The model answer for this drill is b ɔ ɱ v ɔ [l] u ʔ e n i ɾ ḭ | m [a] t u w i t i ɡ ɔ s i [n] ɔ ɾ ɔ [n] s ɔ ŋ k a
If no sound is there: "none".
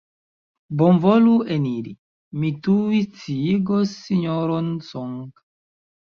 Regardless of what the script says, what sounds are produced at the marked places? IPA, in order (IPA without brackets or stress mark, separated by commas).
l, i, ɲ, n